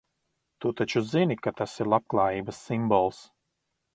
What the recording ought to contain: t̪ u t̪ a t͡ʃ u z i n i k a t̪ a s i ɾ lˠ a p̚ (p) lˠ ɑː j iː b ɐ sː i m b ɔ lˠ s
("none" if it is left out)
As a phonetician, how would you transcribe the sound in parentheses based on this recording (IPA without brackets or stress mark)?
k